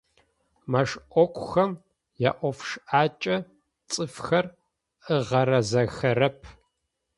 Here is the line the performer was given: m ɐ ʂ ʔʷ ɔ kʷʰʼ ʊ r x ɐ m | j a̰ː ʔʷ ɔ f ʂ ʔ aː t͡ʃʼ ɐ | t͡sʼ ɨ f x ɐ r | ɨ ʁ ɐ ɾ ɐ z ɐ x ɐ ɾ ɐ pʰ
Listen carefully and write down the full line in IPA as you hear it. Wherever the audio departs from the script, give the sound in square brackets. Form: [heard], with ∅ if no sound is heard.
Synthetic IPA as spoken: m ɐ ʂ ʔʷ ɔ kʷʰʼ ʊ [∅] x ɐ m | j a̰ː ʔʷ ɔ f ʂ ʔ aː t͡ʃʼ ɐ | t͡sʼ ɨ f x ɐ r | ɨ ʁ ɐ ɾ ɐ z ɐ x ɐ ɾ ɐ pʰ